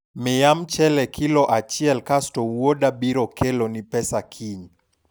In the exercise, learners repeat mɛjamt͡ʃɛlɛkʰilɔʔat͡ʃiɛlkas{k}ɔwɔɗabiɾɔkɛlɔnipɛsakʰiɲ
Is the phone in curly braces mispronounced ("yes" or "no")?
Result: yes